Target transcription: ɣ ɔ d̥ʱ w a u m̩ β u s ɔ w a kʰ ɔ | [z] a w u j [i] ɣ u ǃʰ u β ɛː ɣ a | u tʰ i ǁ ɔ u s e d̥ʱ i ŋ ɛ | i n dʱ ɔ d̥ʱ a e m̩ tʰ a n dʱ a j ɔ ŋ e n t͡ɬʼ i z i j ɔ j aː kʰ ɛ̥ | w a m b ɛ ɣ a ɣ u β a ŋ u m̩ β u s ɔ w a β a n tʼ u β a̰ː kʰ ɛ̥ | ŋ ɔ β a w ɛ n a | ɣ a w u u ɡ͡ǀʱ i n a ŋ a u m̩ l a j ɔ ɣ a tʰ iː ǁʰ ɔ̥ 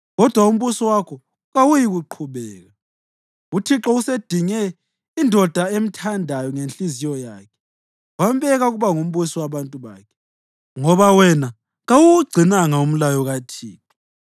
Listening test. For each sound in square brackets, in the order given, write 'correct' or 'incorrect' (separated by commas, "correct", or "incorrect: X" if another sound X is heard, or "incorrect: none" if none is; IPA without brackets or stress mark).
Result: incorrect: ɣ, correct